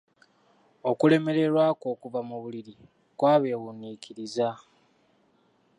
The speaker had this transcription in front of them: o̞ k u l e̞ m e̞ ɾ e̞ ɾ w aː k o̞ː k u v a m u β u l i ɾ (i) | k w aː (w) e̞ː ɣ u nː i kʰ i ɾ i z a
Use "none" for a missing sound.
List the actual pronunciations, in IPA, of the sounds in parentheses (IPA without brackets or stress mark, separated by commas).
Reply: i, β